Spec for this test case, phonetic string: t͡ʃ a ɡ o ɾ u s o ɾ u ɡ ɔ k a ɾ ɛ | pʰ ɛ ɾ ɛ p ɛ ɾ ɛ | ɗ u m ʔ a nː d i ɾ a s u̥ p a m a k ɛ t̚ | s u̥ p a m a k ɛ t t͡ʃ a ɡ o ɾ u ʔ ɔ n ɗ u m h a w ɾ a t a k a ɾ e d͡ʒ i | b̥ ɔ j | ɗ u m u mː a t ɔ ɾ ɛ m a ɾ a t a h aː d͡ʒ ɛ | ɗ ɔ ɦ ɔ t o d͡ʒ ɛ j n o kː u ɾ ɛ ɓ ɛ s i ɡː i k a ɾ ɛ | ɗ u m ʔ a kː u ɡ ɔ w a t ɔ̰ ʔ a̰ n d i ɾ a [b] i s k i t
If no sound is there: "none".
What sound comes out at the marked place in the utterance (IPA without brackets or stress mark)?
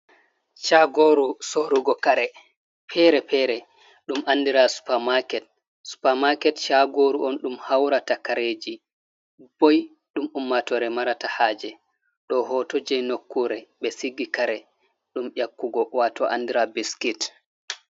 b